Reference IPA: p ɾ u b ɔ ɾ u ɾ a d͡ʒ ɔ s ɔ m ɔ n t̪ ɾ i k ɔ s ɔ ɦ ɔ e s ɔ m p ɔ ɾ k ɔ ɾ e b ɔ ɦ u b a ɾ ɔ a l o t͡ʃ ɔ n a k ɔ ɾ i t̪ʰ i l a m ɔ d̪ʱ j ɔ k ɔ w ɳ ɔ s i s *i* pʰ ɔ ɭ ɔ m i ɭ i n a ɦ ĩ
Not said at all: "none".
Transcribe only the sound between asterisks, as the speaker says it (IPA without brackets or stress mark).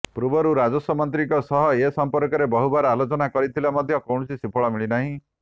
i